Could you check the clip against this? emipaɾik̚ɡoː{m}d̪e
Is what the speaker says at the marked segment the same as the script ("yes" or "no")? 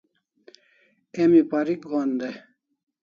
no